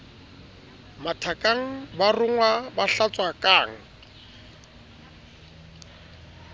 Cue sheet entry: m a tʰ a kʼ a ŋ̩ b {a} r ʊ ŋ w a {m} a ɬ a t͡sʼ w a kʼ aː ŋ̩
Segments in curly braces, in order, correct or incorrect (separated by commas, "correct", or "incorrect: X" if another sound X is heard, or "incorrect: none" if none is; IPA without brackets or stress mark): correct, incorrect: b